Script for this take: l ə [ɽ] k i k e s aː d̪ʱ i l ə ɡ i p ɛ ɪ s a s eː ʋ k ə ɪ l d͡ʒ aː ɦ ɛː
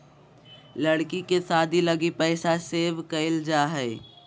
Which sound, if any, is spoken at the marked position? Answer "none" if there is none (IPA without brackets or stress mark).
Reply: ɽ